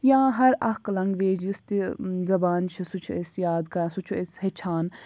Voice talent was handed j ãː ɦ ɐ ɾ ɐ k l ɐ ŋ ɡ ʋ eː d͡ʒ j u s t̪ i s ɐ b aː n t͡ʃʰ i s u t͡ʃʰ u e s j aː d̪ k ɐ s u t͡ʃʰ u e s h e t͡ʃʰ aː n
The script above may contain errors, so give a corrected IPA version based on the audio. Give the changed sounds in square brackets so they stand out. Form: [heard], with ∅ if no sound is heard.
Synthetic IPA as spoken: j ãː ɦ ɐ ɾ ɐ k l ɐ ŋ ɡ ʋ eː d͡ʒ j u s t̪ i [z] ɐ b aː n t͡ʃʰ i s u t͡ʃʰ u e s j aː d̪ k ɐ s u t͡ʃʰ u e s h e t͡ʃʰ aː n